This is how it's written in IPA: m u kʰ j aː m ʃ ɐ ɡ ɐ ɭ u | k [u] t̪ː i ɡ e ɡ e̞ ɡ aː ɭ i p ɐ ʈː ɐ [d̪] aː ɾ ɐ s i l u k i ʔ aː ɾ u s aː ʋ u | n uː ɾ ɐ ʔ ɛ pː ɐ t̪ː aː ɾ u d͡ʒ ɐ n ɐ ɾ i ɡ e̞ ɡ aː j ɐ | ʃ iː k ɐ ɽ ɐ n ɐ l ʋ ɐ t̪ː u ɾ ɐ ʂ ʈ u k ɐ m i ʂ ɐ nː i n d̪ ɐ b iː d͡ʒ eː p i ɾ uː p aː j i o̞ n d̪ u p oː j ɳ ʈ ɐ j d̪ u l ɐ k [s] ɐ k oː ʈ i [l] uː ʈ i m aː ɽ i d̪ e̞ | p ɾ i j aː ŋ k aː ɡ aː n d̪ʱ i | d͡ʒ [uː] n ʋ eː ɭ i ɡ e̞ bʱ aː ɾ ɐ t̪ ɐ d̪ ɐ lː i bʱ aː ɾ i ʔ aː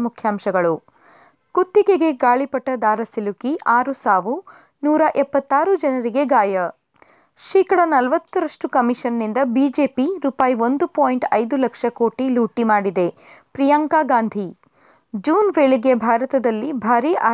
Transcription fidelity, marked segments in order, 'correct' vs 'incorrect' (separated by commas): correct, correct, incorrect, correct, correct